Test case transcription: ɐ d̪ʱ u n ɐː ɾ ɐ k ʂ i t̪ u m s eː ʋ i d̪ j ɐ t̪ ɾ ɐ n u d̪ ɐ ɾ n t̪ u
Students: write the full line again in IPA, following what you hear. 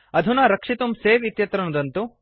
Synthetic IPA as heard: ɐ d̪ʱ u n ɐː ɾ ɐ k ʂ i t̪ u m s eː ʋ i t̪ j ɐ t̪ ɾ ɐ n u d̪ ɐ n t̪ u

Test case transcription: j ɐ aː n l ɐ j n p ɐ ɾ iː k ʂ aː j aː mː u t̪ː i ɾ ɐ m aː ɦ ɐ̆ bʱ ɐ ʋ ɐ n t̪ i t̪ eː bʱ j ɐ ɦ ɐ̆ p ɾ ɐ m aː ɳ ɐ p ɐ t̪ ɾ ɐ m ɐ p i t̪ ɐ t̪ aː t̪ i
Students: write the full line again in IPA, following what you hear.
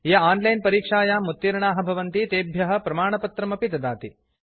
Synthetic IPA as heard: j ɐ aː n l ɐ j n p ɐ ɾ iː k ʂ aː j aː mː u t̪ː i ɾ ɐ ɳ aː ɦ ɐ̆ bʱ ɐ ʋ ɐ n t̪ i t̪ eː bʱ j ɐ ɦ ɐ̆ p ɾ ɐ m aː ɳ ɐ p ɐ t̪ ɾ ɐ m ɐ p i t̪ ɐ d̪ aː t̪ i

